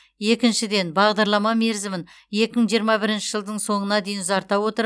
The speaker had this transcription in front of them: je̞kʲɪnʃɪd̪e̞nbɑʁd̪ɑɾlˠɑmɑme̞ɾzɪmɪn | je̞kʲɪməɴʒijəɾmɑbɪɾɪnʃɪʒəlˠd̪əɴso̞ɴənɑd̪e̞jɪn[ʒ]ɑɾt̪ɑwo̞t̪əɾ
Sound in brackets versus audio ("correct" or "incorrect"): incorrect